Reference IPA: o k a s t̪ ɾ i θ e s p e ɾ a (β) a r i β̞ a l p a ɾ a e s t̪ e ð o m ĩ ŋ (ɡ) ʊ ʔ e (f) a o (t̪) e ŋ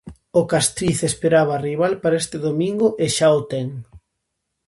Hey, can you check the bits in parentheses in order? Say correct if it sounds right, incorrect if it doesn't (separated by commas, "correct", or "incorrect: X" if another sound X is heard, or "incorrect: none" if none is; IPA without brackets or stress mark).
correct, correct, incorrect: ʃ, correct